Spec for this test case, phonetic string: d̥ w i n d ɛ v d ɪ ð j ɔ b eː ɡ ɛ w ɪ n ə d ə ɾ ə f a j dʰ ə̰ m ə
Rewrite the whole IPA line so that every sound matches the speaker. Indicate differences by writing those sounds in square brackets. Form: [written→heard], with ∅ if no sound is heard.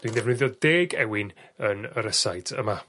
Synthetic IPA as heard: d̥ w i n d ɛ v [d→n] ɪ ð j ɔ [b→d] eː ɡ ɛ w ɪ n ə [d→n] ə ɾ ə [f→s] a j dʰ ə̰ m [ə→a]